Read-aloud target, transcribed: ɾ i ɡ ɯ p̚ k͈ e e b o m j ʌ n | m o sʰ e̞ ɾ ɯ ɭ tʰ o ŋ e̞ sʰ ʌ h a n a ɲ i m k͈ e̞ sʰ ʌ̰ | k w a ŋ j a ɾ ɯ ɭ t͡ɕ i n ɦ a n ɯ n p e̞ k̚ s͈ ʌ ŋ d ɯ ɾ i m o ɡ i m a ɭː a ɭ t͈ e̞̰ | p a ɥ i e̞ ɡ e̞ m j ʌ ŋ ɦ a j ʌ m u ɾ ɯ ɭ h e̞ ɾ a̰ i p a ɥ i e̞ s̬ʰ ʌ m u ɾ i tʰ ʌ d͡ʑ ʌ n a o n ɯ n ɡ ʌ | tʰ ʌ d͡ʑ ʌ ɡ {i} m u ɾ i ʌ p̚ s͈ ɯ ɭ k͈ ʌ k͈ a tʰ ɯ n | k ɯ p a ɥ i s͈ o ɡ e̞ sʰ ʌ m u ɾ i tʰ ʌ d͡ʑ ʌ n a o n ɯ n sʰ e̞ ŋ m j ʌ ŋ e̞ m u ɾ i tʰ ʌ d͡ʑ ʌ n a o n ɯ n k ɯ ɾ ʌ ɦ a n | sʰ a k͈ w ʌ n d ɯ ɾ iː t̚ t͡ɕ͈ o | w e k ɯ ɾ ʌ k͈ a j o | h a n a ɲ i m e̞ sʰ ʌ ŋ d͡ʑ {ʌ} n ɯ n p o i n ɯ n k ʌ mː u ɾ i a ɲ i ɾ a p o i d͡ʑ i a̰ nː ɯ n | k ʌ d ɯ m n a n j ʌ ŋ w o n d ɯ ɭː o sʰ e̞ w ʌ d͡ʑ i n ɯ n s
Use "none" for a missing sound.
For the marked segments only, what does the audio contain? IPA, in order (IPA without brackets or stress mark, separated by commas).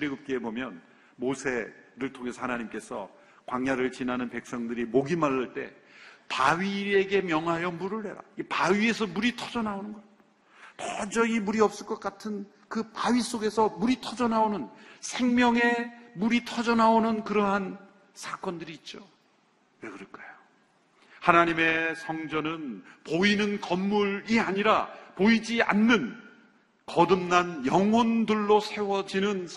i, ʌ